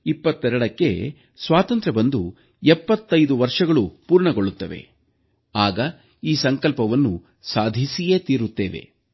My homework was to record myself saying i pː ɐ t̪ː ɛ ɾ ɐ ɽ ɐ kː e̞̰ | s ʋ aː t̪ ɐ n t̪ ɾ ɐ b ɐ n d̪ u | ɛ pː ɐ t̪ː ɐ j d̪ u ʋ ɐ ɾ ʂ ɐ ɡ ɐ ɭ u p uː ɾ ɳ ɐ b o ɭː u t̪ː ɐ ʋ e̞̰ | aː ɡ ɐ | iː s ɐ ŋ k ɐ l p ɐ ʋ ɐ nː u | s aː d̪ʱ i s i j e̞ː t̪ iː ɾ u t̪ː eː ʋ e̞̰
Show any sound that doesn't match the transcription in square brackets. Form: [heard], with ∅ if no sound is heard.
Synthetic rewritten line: i pː ɐ t̪ː ɛ ɾ ɐ ɽ ɐ kː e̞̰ | s ʋ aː t̪ ɐ n t̪ ɾ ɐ b ɐ n d̪ u | ɛ pː ɐ t̪ː ɐ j d̪ u ʋ ɐ ɾ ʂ ɐ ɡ ɐ ɭ u p uː ɾ ɳ ɐ [ɡ] o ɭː u t̪ː ɐ ʋ e̞̰ | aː ɡ ɐ | iː s ɐ ŋ k ɐ l p ɐ ʋ ɐ nː u | s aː d̪ʱ i s i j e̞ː t̪ iː ɾ u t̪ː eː ʋ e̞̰